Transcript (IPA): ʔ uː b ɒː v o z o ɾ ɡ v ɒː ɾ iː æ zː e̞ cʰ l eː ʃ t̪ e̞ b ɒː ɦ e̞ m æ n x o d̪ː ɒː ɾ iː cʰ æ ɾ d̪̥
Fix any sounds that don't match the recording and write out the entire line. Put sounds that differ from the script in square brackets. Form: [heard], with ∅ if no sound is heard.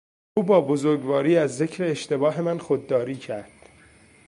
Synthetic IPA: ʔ uː b ɒː [b] o z o ɾ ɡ v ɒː ɾ iː æ zː e̞ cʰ [ɾ] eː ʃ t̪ e̞ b ɒː ɦ e̞ m æ n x o d̪ː ɒː ɾ iː cʰ æ ɾ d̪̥